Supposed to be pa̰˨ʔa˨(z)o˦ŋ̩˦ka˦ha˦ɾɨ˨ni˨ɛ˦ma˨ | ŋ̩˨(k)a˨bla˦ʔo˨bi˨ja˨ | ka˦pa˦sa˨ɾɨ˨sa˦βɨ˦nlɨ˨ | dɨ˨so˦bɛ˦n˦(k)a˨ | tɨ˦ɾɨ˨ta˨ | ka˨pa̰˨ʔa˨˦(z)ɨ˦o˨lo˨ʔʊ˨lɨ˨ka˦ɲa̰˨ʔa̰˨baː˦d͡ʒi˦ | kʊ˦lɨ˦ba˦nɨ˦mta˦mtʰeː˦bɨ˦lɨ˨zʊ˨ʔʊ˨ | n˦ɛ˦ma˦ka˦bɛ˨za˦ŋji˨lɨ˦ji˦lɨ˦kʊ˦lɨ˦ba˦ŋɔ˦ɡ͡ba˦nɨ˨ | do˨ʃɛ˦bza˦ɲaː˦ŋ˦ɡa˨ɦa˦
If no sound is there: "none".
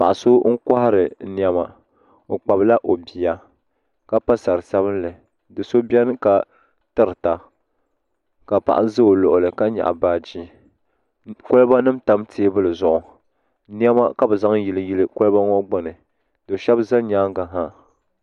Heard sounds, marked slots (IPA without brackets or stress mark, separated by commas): s, k͡p, k, z